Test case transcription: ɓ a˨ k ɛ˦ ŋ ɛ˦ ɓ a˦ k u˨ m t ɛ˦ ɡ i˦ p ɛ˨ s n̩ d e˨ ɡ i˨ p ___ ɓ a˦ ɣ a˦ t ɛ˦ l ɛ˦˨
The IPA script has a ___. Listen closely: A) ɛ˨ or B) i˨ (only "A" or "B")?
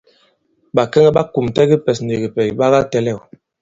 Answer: A